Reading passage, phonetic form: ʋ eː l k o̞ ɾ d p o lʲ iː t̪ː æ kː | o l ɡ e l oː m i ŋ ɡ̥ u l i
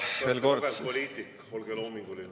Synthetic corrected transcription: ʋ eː l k o̞ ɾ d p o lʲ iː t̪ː i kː | o l ɡ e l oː m i ŋ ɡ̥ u l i